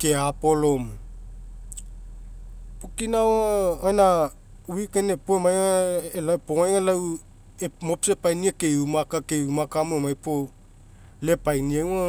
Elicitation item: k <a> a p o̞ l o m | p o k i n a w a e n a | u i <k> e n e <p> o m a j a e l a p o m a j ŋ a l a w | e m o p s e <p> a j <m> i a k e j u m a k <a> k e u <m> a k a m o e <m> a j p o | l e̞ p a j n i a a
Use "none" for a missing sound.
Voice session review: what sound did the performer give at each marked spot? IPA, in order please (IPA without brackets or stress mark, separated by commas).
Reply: e, k, p, p, n, a, m, m